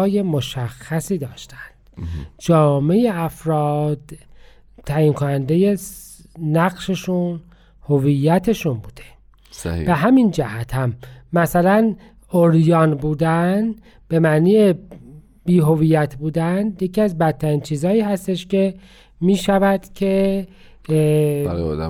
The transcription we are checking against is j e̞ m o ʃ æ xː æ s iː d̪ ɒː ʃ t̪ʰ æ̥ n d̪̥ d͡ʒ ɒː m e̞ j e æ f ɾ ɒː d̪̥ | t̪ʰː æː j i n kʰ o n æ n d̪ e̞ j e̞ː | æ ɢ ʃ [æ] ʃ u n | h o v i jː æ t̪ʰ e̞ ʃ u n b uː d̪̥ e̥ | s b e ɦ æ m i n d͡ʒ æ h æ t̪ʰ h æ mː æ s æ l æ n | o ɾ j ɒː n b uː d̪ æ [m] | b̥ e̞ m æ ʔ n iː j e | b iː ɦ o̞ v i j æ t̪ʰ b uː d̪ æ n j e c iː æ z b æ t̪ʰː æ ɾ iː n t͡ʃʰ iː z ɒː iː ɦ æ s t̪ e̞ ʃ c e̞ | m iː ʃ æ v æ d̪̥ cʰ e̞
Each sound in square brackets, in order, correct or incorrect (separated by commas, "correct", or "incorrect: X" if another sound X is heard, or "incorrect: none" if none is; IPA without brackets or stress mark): incorrect: e, incorrect: n